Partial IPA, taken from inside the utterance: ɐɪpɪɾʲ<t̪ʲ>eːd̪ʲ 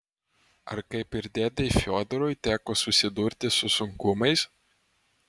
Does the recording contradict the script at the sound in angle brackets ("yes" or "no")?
yes